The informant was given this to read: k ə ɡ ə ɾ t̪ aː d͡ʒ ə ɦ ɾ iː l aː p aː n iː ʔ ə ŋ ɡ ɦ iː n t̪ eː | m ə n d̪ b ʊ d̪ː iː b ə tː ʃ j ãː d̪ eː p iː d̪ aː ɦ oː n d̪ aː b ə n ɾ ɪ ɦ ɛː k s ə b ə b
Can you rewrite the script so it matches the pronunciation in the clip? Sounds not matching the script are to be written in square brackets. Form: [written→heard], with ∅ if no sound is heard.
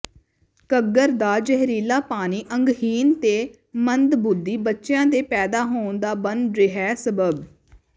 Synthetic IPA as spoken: k ə ɡ ə ɾ [t̪→d̪] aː d͡ʒ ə ɦ ɾ iː l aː p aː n iː ʔ ə ŋ ɡ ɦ iː n t̪ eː | m ə n d̪ b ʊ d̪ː iː b ə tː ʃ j ãː d̪ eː p [iː→ɛː] d̪ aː ɦ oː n d̪ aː b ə n ɾ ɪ ɦ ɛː [k→∅] s ə b ə b